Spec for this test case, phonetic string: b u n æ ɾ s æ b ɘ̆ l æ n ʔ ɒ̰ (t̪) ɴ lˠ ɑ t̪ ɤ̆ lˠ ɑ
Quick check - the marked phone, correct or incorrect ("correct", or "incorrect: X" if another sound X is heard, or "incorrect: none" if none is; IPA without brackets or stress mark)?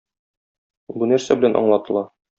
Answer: incorrect: none